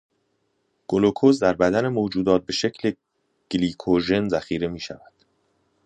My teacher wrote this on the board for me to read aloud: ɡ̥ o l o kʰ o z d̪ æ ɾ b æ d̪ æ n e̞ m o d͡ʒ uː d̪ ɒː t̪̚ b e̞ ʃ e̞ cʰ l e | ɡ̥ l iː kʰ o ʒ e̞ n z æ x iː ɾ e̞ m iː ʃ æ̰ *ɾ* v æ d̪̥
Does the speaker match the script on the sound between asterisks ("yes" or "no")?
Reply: no